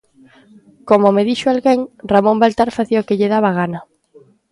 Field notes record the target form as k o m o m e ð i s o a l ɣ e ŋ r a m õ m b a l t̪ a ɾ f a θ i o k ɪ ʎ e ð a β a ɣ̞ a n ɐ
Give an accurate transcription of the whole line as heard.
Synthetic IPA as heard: k o m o m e ð i ʃ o a l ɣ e ŋ r a m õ m b a l t̪ a ɾ f a θ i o k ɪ ʎ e ð a β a ɣ̞ a n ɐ

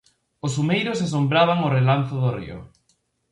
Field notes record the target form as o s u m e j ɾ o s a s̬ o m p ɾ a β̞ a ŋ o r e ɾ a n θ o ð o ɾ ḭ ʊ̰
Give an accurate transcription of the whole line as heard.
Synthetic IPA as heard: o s u m e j ɾ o s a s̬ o m b ɾ a β̞ a ŋ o r e l a n θ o ð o r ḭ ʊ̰

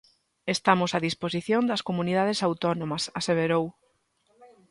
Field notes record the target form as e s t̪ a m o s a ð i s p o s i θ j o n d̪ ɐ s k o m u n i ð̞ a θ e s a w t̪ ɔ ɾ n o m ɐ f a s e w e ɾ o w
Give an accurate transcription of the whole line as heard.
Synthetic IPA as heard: e s t̪ a m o s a ð i s p o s i θ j o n d̪ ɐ s k o m u n i ð̞ a ð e s a w t̪ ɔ n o m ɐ s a s e β e ɾ o w

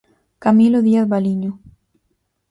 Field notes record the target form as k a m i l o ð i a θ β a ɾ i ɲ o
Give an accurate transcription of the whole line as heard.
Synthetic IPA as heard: k a m i l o ð i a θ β a l i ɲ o

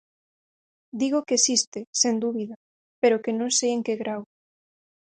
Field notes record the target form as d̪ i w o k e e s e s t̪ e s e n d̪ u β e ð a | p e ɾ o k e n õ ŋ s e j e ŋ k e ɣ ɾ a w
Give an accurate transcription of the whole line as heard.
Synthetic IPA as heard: d̪ i ɣ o k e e s i s t̪ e s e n d̪ u β i ð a | p e ɾ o k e n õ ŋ s e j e ŋ k e ɣ ɾ a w

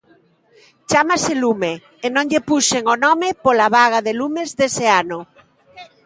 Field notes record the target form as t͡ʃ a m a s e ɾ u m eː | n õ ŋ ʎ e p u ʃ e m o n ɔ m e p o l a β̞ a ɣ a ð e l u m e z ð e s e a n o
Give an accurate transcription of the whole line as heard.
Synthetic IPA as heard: t͡ʃ a m a s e l u m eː | n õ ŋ ʎ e p u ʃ e ŋ o n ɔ m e p o l a β̞ a ɣ a ð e l u m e z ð e s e a n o

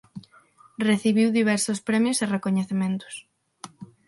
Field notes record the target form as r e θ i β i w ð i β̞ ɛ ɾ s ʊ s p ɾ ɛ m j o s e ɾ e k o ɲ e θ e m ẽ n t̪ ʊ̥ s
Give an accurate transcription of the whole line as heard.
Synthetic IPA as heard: r e θ i β i w ð i β̞ ɛ ɾ s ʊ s p ɾ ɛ m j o s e r e k o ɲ e θ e m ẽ n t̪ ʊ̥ s

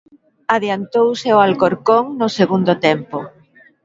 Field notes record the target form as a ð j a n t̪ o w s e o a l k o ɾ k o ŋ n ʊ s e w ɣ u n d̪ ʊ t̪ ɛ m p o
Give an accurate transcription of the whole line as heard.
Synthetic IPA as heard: a ð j a n t̪ o w s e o a l k o ɾ k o ŋ n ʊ s e ɣ u n d̪ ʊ t̪ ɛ m p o

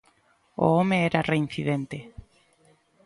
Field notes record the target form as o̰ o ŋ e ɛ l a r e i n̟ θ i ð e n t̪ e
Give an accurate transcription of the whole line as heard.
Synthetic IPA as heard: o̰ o m e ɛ ɾ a r e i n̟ θ i ð e n t̪ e

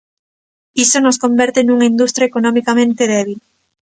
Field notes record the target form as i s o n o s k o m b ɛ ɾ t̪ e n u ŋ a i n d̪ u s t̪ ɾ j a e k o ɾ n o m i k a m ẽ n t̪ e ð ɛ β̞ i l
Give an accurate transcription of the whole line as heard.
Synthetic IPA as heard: i s o n o s k o m b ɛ ɾ t̪ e n u ŋ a i n d̪ u s t̪ ɾ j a e k o n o m i k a m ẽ n t̪ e ð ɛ β̞ i l

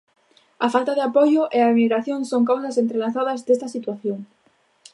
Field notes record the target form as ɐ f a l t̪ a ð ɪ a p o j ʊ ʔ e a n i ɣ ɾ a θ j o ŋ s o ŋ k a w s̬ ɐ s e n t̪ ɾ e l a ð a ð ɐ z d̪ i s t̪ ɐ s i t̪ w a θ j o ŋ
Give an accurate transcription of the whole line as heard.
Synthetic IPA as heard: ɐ f a l t̪ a ð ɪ a p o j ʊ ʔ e a m i ɣ ɾ a θ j o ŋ s o ŋ k a w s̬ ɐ s e n t̪ ɾ e l a θ a ð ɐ z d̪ e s t̪ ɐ s i t̪ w a θ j o ŋ

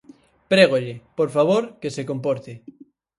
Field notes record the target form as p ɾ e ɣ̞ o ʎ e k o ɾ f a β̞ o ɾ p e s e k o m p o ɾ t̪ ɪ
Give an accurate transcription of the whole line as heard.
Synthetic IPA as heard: p ɾ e ɣ̞ o ʎ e p o ɾ f a β̞ o ɾ k e s e k o m p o ɾ t̪ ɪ

